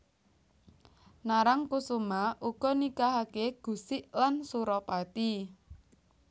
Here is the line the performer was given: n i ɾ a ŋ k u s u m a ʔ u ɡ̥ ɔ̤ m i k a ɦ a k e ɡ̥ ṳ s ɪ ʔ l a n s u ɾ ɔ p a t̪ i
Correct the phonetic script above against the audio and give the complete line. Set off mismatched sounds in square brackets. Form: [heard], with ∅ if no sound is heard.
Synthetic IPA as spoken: n [a] ɾ a ŋ k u s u m a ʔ u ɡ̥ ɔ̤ [n] i k a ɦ a k e ɡ̥ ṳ s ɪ ʔ l a n s u ɾ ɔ p a t̪ i